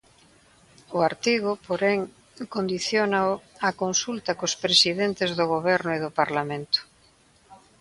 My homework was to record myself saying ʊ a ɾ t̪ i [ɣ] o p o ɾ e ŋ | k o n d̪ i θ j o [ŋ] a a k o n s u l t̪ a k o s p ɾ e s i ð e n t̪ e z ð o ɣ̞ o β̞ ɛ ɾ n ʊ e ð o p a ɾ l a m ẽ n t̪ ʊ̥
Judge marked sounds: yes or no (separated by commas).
yes, no